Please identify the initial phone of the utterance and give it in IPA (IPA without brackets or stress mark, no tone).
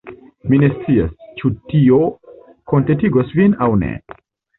m